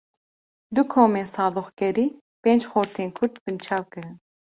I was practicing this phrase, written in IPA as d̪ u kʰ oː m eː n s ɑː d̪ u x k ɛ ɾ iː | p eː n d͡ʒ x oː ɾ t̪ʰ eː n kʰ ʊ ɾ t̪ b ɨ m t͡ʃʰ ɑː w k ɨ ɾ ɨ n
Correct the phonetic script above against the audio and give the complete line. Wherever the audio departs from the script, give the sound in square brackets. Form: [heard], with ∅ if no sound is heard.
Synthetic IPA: d̪ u kʰ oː m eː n s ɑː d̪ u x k ɛ ɾ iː | p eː n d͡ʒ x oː ɾ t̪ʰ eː n kʰ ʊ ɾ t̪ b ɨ [n] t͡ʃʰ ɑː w k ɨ ɾ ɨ n